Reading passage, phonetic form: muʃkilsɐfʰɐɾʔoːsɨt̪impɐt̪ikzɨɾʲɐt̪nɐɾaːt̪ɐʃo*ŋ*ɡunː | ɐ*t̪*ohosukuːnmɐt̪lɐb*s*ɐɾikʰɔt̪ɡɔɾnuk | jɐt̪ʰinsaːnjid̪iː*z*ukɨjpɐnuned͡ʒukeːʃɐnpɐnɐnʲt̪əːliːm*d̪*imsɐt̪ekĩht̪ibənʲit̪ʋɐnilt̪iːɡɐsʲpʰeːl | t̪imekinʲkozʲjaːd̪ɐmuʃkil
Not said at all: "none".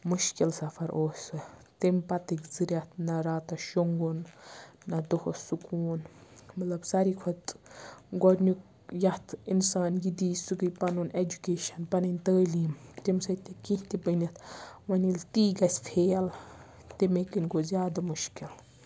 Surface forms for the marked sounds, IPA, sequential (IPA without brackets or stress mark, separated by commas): ŋ, d̪, s, s, t̪